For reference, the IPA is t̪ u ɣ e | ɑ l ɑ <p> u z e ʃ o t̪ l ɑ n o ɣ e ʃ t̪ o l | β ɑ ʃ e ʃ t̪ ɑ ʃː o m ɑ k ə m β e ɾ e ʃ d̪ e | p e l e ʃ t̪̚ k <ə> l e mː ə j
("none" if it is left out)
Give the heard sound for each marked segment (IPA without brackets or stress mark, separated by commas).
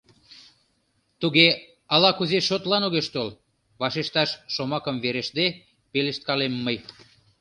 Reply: k, ɑ